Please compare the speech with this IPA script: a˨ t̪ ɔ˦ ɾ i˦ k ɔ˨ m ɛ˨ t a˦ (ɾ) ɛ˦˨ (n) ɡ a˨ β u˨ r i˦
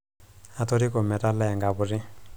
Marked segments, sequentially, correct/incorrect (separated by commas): incorrect, incorrect